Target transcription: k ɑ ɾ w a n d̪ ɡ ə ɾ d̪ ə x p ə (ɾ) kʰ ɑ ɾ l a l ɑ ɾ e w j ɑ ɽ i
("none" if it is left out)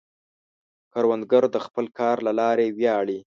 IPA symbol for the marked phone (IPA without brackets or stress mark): l